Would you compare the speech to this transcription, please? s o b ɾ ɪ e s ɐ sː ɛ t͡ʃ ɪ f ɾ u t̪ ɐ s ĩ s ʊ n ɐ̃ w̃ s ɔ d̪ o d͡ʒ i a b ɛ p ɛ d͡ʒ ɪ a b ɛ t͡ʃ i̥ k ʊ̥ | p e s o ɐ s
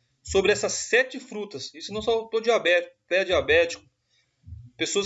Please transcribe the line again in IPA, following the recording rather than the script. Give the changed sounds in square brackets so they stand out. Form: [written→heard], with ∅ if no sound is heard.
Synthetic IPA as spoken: s o b ɾ ɪ [e→ɛ] s ɐ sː ɛ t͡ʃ ɪ f ɾ u t̪ ɐ s [ĩ→i] s ʊ n ɐ̃ w̃ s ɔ [d̪→t̪] o d͡ʒ i a b ɛ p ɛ d͡ʒ [ɪ→i] a b ɛ t͡ʃ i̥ k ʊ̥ | p e s o ɐ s